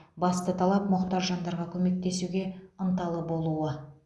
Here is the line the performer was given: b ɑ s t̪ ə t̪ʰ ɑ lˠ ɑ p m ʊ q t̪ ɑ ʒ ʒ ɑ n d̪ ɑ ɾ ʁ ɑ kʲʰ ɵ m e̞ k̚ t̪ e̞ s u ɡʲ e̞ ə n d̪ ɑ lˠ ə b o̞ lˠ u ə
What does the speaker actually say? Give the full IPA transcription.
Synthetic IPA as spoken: b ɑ s t̪ ə t̪ʰ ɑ lˠ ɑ p m ʊ q t̪ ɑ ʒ ʒ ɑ n d̪ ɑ ɾ ʁ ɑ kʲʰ ɵ m e̞ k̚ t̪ e̞ s u ɡʲ e̞ ə n t̪ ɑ lˠ ə b o̞ lˠ u ə

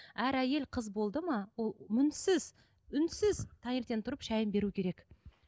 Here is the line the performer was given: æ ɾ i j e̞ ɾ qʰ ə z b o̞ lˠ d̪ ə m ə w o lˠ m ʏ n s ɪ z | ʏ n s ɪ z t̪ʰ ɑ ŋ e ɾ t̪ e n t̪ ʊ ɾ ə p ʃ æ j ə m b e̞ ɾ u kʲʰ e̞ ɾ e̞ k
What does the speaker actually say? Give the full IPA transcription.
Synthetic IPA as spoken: æ ɾ æ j e̞ l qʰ ə z b o̞ lˠ d̪ ə m ɑ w o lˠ m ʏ n s ɪ z | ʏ n s ɪ z t̪ʰ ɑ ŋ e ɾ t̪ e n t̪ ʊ ɾ ə p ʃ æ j ə m b e̞ ɾ u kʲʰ e̞ ɾ e̞ k

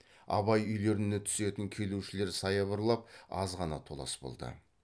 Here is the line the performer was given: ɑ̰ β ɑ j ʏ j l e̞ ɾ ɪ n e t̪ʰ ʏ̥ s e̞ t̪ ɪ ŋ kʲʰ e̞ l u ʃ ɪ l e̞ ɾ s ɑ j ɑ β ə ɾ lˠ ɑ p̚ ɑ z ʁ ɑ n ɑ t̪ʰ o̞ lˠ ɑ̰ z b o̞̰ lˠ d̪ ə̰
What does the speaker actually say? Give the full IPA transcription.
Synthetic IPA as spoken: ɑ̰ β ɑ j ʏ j l e̞ ɾ ɪ n e t̪ʰ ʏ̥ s e̞ t̪ ɪ ŋ kʲʰ e̞ l u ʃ ɪ l e̞ ɾ s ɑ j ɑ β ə ɾ lˠ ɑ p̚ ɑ z ʁ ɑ n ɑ t̪ʰ o̞ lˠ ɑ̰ s b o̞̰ lˠ d̪ ə̰

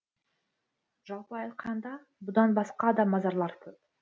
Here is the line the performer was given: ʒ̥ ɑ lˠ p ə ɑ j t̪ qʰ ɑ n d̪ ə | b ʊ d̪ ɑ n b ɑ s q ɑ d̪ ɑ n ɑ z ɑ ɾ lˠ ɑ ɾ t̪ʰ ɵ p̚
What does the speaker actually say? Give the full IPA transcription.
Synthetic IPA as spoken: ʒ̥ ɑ lˠ p ə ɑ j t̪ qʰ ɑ n d̪ ɑ | b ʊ d̪ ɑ n b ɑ s q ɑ d̪ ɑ m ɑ z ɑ ɾ lˠ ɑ ɾ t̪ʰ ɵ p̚

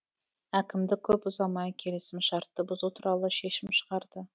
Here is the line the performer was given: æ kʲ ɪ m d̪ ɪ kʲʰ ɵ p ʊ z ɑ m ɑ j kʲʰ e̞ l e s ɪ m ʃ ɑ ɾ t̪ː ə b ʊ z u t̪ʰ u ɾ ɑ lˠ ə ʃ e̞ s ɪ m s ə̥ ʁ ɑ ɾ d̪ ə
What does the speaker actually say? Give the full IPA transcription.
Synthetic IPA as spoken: æ kʲ ɪ m d̪ ɪ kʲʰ ɵ p ʊ z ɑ m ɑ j kʲʰ e̞ l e s ɪ m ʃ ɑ ɾ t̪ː ə b ʊ z u t̪ʰ u ɾ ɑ lˠ ə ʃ e̞ ʃ ɪ m ʃ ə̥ ʁ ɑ ɾ d̪ ə

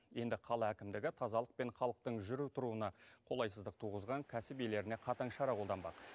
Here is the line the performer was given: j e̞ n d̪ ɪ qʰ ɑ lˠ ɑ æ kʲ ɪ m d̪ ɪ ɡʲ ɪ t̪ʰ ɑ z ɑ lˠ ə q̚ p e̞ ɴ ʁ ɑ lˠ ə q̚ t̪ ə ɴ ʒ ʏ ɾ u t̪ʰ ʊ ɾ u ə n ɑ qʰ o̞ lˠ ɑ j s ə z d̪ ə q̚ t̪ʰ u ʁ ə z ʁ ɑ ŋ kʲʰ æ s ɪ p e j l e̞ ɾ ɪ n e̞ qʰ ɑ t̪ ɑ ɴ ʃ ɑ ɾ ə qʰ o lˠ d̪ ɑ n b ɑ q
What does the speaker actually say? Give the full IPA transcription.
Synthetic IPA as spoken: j e̞ n d̪ ɪ qʰ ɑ lˠ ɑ æ kʲ ɪ m d̪ ɪ ɡʲ ɪ t̪ʰ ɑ z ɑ lˠ ə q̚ p e̞ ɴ χ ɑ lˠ ə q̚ t̪ ə ɴ ʒ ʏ ɾ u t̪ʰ ʊ ɾ u ə n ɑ qʰ o̞ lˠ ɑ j s ə z d̪ ə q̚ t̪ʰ u ʁ ə z ʁ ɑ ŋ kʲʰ æ s ɪ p e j l e̞ ɾ ɪ n e̞ qʰ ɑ t̪ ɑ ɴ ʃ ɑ ɾ ɑ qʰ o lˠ d̪ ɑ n b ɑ q

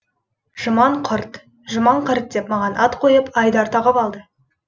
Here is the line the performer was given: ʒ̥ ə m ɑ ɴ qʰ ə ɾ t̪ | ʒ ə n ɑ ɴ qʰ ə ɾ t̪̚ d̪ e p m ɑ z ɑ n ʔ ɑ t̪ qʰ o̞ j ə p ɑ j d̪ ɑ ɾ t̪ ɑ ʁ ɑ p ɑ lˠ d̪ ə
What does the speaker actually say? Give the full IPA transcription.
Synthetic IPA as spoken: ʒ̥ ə m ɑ ɴ qʰ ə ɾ t̪ | ʒ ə m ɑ ɴ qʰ ə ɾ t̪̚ d̪ e p m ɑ ʁ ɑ n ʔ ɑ t̪ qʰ o̞ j ə p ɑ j d̪ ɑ ɾ t̪ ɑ ʁ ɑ p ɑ lˠ d̪ ə

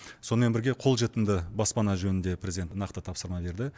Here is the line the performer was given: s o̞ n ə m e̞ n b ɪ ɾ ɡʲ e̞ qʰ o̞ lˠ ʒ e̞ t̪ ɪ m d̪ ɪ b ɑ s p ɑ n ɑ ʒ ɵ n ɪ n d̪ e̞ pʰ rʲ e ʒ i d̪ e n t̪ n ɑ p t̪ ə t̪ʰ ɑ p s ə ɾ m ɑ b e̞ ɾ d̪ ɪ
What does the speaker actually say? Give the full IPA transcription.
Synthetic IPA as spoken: s o̞ n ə m e̞ n b ɪ ɾ ɡʲ e̞ qʰ o̞ lˠ ʒ e̞ t̪ ɪ m d̪ ɪ b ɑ s p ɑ n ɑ ʒ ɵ n ɪ n d̪ e̞ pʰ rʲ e z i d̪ e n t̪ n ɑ q t̪ ə t̪ʰ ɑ p s ə ɾ m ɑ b e̞ ɾ d̪ ɪ

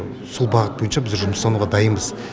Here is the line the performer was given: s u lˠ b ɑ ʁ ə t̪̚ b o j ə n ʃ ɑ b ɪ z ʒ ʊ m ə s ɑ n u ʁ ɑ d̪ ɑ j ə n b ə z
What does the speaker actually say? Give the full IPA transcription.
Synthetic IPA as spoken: s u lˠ b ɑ ʁ ə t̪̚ b o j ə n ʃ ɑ b ɪ z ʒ ʊ m ə s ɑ n u ʁ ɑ d̪ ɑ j ə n b ə z

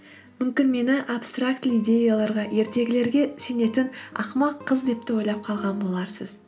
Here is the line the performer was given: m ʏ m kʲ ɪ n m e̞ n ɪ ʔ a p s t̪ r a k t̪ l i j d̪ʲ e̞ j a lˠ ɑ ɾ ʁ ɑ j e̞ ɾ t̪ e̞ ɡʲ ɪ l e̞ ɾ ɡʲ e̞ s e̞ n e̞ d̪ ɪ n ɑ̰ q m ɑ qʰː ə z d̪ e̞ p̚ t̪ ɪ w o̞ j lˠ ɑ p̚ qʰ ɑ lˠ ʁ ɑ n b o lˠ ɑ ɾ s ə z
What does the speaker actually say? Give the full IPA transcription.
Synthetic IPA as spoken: m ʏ m kʲ ɪ n m e̞ n ɪ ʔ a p s t̪ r a k t̪ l i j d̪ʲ e̞ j a lˠ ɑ ɾ ʁ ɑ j e̞ ɾ t̪ e̞ ɡʲ ɪ l e̞ ɾ ɡʲ e̞ s e̞ n e̞ t̪ ɪ n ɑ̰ q m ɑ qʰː ə z d̪ e̞ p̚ t̪ ɪ w o̞ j lˠ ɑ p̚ qʰ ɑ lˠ ʁ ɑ n b o lˠ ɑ ɾ s ə z

